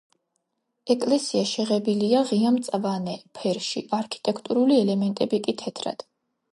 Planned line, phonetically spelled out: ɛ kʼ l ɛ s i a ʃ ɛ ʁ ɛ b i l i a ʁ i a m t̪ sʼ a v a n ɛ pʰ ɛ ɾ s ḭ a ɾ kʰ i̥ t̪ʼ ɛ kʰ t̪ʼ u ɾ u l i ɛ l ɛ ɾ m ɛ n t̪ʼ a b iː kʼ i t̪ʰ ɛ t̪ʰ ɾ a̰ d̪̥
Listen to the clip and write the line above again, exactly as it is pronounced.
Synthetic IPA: ɛ kʼ l ɛ s i a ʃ ɛ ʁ ɛ b i l i a ʁ i a m t̪ sʼ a v a n ɛ pʰ ɛ ɾ ʃ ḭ a ɾ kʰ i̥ t̪ʼ ɛ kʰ t̪ʼ u ɾ u l i ɛ l ɛ m ɛ n t̪ʼ ɛ b i kʼ i t̪ʰ ɛ t̪ʰ ɾ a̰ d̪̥